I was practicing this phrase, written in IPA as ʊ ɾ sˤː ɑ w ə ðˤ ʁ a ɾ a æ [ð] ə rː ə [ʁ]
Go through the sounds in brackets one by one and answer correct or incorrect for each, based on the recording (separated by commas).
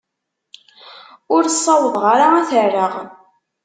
incorrect, correct